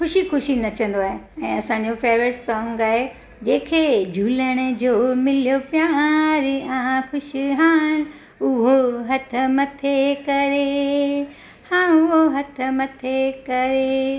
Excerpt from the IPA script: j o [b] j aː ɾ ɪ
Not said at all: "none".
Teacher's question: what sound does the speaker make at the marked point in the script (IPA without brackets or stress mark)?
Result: p